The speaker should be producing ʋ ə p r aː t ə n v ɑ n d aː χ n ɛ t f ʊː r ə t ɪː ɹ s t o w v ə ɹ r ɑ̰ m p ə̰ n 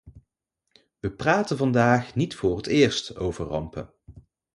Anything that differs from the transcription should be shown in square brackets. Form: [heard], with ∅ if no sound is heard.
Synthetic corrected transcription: ʋ ə p r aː t ə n v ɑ n d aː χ n [i] t f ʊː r ə t ɪː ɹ s t o w v ə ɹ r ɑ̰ m p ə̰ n

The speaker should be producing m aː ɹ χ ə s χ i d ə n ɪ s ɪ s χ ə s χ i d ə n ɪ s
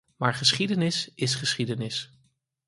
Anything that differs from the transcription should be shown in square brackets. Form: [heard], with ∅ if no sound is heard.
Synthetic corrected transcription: m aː ɹ χ ə s χ i d ə n ɪ s ɪ s χ ə s χ i d ə n ɪ s

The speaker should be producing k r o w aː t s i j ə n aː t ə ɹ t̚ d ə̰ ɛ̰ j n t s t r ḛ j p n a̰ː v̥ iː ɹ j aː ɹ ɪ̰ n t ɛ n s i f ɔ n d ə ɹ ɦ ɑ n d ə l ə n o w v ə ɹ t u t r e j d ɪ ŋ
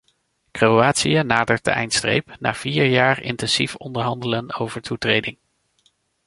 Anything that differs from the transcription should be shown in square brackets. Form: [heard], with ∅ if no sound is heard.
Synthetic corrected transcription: k r o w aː t s i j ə n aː [d] ə ɹ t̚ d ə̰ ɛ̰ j n t s t r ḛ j p n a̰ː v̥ iː ɹ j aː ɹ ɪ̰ n t ɛ n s i f ɔ n d ə ɹ ɦ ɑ n d ə l ə n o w v ə ɹ t u t r e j d ɪ ŋ

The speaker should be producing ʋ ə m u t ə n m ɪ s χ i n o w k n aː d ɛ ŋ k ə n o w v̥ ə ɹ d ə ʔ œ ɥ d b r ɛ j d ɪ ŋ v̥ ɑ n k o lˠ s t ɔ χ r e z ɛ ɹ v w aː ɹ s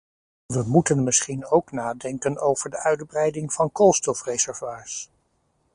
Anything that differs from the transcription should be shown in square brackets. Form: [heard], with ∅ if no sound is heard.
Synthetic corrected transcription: ʋ ə m u t ə n m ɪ s χ i n o w k n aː d ɛ ŋ k ə n o w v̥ ə ɹ d ə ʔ œ ɥ d b r ɛ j d ɪ ŋ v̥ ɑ n k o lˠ s t ɔ [f] r e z ɛ ɹ v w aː ɹ s

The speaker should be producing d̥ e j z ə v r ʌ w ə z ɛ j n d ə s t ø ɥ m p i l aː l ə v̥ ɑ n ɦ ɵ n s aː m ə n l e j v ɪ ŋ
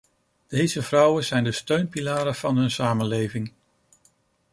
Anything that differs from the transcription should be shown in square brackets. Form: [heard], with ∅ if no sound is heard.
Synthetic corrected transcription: d̥ e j z ə v r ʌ w ə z ɛ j n d ə s t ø ɥ [n] p i l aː [ɾ] ə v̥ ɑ n ɦ ɵ n s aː m ə n l e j v ɪ ŋ

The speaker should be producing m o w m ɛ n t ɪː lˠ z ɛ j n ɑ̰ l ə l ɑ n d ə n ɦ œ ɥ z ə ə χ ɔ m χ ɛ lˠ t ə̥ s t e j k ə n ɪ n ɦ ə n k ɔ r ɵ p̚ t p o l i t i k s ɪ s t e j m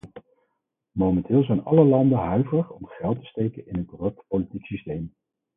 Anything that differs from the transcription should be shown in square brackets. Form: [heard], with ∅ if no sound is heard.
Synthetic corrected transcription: m o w m ɛ n t ɪː lˠ z ɛ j n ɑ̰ l ə l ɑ n d ə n ɦ œ ɥ [v] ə ə χ ɔ m χ ɛ lˠ t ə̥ s t e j k ə n ɪ n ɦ ə n k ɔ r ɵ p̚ t p o l i t i k s [i] s t e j m

